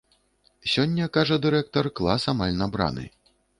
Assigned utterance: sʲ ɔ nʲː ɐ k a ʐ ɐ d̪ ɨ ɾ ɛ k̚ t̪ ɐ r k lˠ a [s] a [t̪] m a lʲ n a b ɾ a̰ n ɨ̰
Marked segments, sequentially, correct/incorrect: correct, incorrect

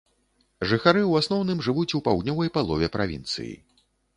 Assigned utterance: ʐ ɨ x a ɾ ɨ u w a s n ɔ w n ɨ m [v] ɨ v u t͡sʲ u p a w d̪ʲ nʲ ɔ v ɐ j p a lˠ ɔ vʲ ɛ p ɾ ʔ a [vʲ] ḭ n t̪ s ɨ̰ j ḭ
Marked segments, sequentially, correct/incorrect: incorrect, correct

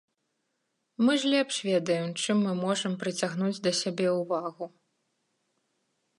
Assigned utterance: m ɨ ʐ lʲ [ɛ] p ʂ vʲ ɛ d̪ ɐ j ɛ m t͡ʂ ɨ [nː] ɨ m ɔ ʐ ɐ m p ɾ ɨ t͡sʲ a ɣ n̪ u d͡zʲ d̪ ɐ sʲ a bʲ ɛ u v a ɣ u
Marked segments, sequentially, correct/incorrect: correct, incorrect

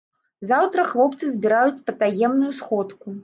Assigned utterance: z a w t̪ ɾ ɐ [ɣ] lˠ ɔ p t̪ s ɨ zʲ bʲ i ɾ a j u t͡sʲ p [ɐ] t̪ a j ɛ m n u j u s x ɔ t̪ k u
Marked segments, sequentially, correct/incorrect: incorrect, correct

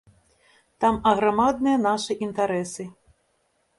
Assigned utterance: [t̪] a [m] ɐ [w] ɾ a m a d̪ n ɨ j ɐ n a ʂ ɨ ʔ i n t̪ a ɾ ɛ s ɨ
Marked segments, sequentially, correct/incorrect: correct, correct, incorrect

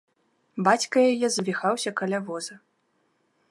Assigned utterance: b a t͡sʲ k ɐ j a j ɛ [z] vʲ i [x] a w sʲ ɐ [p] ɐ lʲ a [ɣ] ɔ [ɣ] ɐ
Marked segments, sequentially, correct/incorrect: correct, correct, incorrect, incorrect, incorrect

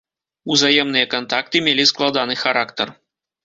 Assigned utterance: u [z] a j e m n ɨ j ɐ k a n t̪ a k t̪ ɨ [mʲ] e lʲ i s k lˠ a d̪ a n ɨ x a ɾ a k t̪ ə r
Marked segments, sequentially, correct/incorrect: correct, correct

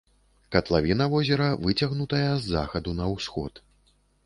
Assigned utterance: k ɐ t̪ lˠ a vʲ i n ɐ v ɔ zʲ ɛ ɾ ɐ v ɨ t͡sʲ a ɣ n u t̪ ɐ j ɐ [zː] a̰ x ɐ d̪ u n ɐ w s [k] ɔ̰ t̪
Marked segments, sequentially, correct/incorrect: correct, incorrect

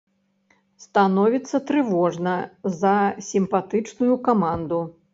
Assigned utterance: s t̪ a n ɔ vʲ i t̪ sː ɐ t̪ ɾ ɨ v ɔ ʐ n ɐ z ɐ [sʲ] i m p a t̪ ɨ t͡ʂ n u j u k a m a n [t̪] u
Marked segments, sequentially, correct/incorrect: correct, incorrect

